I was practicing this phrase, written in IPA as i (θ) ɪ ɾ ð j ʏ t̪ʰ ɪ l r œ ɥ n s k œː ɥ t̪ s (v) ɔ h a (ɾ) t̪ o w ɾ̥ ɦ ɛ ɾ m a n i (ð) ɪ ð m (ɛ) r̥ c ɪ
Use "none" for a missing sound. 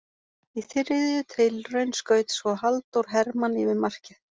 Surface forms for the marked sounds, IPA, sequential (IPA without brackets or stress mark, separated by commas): θ, v, l, v, a